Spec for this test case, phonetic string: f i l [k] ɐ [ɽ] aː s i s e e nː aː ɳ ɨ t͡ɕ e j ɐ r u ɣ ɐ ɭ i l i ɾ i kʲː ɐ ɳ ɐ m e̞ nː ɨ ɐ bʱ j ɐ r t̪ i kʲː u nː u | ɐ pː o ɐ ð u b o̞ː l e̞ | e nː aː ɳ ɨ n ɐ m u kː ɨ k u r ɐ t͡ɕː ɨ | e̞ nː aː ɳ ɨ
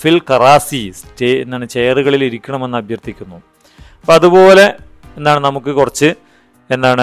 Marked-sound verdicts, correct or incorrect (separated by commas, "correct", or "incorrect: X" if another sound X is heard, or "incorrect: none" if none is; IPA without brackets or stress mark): correct, incorrect: r